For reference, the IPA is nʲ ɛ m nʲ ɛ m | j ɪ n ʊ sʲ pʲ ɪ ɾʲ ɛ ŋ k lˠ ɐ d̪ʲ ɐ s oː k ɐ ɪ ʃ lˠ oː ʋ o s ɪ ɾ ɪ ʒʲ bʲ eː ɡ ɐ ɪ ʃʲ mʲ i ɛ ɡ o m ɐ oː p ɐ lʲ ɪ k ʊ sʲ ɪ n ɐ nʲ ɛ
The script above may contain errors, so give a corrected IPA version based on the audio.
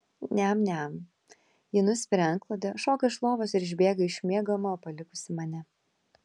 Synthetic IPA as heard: nʲ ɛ m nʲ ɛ m | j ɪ n ʊ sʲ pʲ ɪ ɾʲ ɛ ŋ k lˠ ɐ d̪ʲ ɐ ʃ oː k ɐ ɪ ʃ lˠ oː ʋ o s ɪ ɾ ɪ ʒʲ bʲ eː ɡ ɐ ɪ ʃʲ mʲ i ɛ ɡ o m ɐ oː p ɐ lʲ ɪ k ʊ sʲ ɪ m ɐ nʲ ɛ